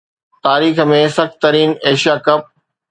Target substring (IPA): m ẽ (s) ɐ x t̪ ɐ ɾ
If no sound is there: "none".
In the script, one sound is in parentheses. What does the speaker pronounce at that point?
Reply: s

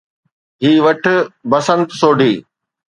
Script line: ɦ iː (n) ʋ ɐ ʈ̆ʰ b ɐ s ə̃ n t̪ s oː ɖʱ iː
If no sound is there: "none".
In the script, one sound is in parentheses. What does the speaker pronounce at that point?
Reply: none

